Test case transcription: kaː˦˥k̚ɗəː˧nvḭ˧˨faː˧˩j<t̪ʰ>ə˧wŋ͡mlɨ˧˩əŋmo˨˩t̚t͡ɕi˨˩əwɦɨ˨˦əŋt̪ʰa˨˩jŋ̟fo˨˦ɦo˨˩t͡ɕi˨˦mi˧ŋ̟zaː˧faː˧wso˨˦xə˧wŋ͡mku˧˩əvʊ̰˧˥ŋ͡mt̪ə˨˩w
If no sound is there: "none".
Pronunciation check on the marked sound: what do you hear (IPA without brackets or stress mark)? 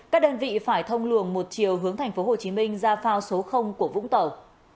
t̪ʰ